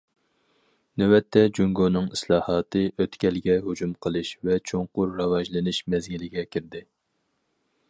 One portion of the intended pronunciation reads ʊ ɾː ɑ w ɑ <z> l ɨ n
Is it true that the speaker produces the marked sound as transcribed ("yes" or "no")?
no